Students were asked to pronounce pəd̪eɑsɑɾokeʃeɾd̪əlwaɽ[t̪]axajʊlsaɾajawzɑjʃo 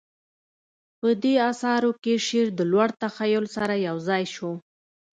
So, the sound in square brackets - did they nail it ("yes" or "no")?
yes